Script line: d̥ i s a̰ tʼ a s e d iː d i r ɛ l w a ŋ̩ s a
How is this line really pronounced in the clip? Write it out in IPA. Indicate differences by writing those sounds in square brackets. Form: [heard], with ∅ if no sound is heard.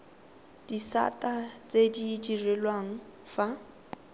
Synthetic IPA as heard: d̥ i s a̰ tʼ a [t͡s] e d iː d i r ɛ l w a ŋ̩ [f] a